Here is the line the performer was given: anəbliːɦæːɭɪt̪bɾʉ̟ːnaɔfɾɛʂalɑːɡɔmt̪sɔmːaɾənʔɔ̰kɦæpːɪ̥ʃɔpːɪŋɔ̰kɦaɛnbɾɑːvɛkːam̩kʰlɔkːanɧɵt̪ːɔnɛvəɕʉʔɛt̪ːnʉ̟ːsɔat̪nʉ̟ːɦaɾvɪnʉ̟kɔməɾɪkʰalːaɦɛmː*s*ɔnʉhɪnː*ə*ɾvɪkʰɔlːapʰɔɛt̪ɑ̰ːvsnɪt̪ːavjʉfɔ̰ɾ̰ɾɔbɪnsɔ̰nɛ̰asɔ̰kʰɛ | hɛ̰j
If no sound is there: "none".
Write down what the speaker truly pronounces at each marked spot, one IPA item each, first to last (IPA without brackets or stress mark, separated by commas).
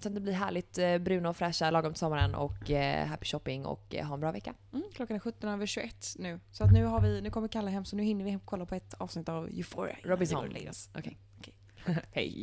s, ə